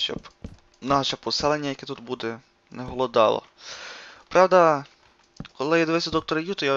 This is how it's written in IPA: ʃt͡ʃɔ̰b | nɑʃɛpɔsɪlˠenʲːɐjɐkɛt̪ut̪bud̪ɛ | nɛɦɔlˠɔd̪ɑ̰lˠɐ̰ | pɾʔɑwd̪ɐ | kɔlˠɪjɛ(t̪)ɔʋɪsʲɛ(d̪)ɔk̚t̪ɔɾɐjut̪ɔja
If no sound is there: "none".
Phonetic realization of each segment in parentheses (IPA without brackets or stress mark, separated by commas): d̪, d̪